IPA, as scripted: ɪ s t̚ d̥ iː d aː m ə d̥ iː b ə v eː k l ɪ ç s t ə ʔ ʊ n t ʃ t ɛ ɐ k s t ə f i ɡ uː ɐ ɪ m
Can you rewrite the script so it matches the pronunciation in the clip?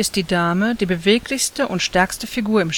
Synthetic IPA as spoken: ɪ s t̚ d̥ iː d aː m ə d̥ iː b ə v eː k l ɪ ç s t ə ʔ ʊ n t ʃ t ɛ ɐ k s t ə f i ɡ uː ɐ ɪ m